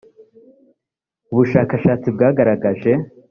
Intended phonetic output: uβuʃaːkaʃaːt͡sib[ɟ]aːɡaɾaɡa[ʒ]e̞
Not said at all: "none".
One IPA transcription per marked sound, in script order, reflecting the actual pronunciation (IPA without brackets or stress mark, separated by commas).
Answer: ɡ, ʒ